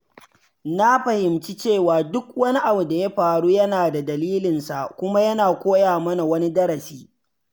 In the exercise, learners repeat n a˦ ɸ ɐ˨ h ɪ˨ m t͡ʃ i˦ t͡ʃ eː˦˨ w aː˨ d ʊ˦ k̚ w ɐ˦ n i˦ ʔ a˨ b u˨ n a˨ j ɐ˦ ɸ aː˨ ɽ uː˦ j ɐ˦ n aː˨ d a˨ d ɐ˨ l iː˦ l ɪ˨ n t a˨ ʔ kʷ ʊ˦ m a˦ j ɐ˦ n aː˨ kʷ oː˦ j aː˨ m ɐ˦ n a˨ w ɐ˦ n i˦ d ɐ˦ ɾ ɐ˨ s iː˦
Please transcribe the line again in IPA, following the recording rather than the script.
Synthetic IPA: n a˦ ɸ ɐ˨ h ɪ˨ m t͡ʃ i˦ t͡ʃ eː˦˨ w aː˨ d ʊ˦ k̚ w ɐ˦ n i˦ ʔ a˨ b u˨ d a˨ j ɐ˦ ɸ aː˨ ɽ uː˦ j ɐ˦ n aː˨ d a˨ d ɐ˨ l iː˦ l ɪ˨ n s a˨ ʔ kʷ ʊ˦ m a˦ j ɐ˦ n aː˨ kʷ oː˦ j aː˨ m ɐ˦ n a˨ w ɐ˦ n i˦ d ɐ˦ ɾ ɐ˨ s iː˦